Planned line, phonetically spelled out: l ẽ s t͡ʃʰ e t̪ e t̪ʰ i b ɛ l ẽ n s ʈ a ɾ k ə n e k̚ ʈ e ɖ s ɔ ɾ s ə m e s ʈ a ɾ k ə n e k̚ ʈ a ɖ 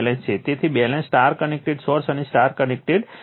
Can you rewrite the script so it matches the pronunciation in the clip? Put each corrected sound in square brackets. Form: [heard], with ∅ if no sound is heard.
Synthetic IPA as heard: l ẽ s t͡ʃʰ e t̪ e t̪ʰ i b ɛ l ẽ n s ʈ a ɾ k ə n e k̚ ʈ e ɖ s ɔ ɾ s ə [n] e s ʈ a ɾ k ə n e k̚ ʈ [e] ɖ